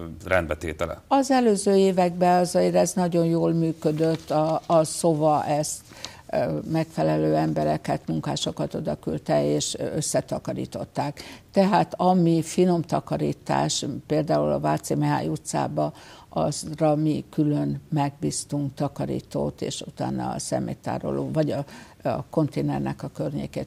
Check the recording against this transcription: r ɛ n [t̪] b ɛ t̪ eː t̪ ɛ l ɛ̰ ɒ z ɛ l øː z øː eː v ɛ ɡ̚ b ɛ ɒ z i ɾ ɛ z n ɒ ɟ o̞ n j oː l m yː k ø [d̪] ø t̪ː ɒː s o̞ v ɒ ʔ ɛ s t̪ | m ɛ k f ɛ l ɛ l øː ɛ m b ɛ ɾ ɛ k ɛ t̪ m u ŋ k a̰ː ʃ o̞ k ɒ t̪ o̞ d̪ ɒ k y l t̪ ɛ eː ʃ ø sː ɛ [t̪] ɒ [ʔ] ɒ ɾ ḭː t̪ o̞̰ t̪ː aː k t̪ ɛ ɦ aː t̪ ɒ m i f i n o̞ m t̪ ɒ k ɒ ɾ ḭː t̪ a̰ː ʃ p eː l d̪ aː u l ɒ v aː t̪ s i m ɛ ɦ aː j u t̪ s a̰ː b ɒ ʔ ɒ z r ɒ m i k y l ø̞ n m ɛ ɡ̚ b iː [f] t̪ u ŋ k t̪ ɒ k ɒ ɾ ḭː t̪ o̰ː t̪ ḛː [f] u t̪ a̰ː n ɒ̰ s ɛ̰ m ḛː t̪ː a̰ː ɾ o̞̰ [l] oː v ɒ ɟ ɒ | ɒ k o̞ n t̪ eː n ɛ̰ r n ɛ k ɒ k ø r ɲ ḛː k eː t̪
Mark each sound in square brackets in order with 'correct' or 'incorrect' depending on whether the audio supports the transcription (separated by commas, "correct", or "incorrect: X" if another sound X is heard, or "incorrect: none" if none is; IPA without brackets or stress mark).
incorrect: d̪, correct, correct, incorrect: k, incorrect: s, incorrect: ʃ, correct